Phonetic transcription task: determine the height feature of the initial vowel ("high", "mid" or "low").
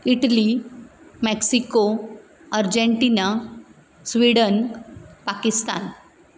high